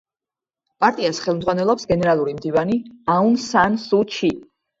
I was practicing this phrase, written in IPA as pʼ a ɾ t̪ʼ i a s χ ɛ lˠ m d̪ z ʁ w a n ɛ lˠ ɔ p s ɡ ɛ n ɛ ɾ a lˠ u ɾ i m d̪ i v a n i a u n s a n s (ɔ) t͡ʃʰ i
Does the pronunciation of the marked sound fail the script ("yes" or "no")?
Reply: yes